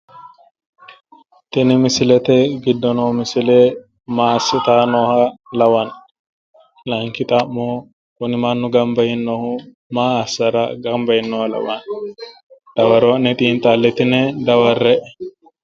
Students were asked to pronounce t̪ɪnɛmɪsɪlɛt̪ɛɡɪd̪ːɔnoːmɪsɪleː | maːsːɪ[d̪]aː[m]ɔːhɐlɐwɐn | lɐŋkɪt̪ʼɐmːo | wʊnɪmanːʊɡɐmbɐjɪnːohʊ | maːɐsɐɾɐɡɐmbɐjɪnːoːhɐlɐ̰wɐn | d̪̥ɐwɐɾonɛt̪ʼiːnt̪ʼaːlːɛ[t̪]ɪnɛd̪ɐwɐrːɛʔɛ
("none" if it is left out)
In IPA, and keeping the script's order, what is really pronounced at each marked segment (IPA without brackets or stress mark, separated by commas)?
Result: t̪, n, t̪